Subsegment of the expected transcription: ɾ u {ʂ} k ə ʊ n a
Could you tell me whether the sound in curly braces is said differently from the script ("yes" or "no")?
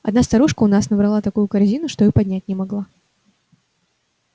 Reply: no